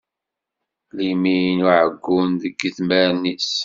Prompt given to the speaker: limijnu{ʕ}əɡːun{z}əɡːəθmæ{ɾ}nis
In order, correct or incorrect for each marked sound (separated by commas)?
correct, incorrect, correct